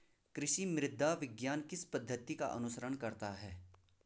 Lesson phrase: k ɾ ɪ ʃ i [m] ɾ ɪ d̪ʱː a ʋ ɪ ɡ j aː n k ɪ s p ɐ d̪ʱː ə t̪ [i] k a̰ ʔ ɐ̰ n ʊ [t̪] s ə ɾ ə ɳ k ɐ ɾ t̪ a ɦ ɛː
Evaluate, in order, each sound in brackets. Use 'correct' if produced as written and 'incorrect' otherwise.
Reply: correct, correct, incorrect

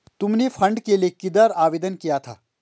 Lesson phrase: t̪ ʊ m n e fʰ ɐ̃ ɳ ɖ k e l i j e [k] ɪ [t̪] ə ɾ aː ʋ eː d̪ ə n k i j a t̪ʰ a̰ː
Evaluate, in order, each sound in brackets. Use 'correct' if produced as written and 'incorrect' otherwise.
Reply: correct, incorrect

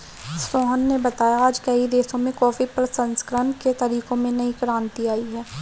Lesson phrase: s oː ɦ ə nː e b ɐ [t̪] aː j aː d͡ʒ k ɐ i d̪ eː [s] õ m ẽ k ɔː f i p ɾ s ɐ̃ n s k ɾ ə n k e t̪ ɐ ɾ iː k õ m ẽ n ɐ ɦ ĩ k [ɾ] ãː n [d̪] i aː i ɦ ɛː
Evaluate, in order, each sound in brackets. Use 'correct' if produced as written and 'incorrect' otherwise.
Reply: correct, correct, correct, incorrect

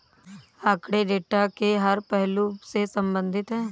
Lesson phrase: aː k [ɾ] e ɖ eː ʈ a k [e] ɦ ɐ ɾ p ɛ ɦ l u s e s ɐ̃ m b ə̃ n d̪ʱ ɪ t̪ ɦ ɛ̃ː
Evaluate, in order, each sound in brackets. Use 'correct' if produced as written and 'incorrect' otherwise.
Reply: incorrect, correct

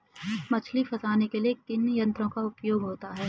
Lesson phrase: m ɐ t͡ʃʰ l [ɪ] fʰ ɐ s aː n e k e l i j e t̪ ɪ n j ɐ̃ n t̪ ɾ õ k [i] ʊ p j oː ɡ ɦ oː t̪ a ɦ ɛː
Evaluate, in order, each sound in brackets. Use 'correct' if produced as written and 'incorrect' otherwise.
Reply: incorrect, incorrect

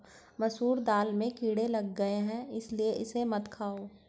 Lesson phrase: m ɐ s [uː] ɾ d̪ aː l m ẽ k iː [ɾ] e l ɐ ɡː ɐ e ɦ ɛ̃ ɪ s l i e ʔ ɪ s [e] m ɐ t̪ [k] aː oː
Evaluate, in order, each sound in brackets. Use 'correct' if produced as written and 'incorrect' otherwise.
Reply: correct, incorrect, correct, incorrect

